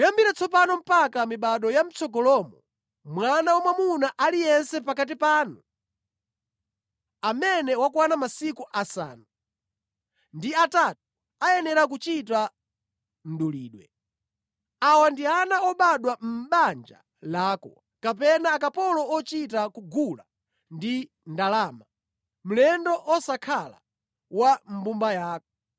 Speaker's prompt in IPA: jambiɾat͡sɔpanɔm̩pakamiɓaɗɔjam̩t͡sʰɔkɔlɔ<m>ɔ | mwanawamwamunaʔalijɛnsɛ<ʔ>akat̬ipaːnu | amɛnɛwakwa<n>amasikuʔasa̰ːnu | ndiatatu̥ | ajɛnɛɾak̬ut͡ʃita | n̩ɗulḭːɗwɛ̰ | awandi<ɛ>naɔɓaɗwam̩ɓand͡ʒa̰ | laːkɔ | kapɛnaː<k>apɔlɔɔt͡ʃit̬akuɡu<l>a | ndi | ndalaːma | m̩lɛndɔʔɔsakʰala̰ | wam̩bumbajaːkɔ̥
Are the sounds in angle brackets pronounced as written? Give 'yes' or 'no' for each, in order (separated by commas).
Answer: yes, no, yes, no, yes, yes